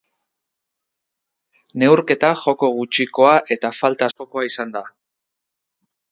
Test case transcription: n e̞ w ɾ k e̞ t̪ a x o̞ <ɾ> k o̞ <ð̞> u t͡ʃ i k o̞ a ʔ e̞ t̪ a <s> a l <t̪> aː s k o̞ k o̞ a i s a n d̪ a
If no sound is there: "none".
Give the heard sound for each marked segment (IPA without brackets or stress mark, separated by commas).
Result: none, ɣ̞, f, t̪